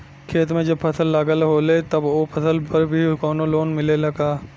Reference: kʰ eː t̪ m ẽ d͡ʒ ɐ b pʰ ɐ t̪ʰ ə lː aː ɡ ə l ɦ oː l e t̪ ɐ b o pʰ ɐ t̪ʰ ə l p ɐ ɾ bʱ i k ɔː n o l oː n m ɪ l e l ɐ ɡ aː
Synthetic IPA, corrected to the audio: kʰ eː t̪ m ẽ d͡ʒ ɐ b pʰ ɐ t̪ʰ ə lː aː ɡ ə l ɦ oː l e t̪ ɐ b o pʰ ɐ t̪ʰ ə l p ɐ ɾ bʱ i k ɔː n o l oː n m ɪ l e l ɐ ɡ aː

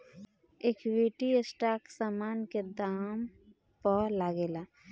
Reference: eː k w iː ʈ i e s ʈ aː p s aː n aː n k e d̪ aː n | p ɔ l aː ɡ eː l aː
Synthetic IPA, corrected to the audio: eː k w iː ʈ i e s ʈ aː k s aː m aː n k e d̪ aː m | p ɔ l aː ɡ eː l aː

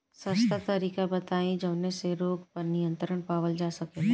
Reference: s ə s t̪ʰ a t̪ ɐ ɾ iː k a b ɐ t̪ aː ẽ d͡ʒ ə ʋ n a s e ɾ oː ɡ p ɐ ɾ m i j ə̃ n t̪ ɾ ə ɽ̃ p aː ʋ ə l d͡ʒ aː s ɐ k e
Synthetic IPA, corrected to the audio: s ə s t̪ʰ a t̪ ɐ ɾ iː k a b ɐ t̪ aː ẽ d͡ʒ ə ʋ n e s e ɾ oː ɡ p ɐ ɾ n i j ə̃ n t̪ ɾ ə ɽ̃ p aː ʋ ə l d͡ʒ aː s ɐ k e

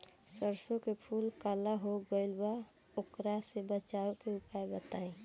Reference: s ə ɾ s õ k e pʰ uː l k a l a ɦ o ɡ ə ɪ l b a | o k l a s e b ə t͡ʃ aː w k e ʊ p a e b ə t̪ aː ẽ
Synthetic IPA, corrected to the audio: s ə ɾ s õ k e pʰ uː l k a l a ɦ o ɡ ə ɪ l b a | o k ɾ a s e b ə t͡ʃ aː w k e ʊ p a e b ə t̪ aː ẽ

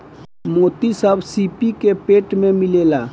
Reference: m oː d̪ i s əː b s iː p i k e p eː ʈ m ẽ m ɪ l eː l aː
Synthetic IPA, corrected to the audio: m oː t̪ i s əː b s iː p i k e p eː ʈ m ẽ m ɪ l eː l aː

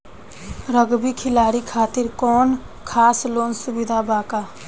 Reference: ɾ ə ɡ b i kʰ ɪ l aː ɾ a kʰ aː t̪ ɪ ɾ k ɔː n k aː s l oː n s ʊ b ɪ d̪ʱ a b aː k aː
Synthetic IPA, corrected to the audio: ɾ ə ɡ b i kʰ ɪ l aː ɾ i kʰ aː t̪ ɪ ɾ k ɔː n kʰ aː s l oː n s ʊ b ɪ d̪ʱ a b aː k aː

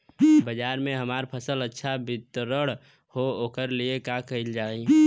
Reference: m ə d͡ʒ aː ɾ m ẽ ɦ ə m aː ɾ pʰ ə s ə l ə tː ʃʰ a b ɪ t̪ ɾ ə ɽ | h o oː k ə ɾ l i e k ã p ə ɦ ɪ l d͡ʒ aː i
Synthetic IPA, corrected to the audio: b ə d͡ʒ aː ɾ m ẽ ɦ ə m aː ɾ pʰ ə s ə l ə tː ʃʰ a b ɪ t̪ ɾ ə ɽ | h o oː k ə ɾ l i e k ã k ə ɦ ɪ l d͡ʒ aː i

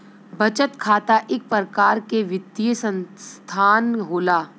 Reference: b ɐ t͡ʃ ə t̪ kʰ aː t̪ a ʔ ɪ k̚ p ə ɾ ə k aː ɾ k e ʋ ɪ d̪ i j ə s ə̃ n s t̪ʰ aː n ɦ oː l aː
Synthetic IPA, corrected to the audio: b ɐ t͡ʃ ə t̪ kʰ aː t̪ a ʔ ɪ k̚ p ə ɾ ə k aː ɾ k e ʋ ɪ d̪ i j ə s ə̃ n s t̪ʰ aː n ɦ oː l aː

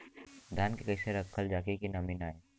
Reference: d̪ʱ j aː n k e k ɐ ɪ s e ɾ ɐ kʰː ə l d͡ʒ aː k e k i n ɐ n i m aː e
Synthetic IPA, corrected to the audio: d̪ʱ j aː n k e k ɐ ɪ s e ɾ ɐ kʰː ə l d͡ʒ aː k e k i n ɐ m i n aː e

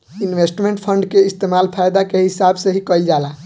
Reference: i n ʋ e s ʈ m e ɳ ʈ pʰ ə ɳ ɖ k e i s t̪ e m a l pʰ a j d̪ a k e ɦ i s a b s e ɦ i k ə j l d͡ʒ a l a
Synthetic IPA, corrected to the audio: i n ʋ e s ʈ m e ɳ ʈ pʰ ə ɳ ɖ k e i s t̪ e m a l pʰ a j d̪ a k e ɦ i s a b s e ɦ i k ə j l d͡ʒ a l a

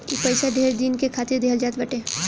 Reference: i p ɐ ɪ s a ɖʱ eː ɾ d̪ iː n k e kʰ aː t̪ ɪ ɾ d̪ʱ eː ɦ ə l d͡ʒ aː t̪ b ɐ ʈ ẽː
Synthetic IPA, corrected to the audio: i p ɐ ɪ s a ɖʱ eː ɾ d̪ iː n k e kʰ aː t̪ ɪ ɾ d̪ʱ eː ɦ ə l d͡ʒ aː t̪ b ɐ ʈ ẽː

